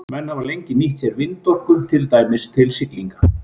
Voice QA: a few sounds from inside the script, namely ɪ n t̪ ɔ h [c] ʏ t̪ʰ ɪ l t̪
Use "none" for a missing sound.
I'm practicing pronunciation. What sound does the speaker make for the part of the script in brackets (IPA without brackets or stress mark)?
k